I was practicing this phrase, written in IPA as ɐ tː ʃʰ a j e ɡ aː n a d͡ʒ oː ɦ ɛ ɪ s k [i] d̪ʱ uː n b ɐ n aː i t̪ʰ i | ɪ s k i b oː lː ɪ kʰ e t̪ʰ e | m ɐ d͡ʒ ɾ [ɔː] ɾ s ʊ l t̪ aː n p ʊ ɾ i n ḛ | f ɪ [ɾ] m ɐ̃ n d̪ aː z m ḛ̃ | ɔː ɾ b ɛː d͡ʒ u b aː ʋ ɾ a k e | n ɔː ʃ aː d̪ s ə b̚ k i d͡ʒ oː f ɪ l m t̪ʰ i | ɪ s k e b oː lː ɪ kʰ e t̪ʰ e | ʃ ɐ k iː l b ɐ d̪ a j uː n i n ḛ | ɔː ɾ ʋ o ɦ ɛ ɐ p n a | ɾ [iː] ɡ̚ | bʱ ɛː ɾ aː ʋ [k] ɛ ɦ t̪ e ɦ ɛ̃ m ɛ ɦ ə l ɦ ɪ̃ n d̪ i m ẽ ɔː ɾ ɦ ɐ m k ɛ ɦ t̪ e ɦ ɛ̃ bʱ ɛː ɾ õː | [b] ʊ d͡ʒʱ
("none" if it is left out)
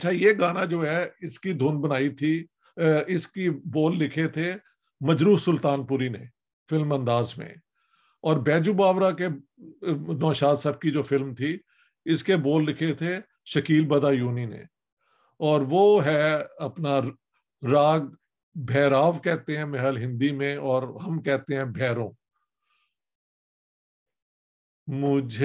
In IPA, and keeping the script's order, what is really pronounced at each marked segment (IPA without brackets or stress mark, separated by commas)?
i, uː, l, aː, k, m